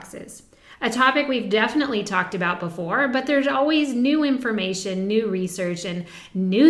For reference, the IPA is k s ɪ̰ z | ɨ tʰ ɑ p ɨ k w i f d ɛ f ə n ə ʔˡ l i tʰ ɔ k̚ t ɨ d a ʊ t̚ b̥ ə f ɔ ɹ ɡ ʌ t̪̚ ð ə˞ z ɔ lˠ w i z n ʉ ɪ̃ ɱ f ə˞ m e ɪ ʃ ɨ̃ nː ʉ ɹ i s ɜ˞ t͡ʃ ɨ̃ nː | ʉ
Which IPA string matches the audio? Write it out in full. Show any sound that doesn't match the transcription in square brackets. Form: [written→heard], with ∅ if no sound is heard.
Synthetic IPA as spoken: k s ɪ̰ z | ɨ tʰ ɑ p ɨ k w i [f→v] d ɛ f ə n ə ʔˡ l i tʰ ɔ k̚ t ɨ [d→b] a ʊ t̚ b̥ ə f ɔ ɹ [ɡ→b] ʌ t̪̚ ð ə˞ z ɔ lˠ w i z n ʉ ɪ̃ ɱ f ə˞ m e ɪ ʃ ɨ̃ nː ʉ ɹ i s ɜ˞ t͡ʃ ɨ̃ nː | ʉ